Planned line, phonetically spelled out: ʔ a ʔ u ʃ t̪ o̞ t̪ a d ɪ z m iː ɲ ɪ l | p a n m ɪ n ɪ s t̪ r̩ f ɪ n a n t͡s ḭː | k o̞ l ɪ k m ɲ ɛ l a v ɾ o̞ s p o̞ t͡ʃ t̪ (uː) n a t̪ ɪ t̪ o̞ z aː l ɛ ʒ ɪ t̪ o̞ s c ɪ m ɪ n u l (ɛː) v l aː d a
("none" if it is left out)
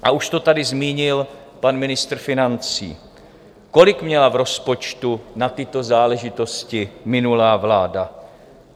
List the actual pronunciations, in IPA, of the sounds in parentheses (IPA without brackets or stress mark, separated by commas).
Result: u, aː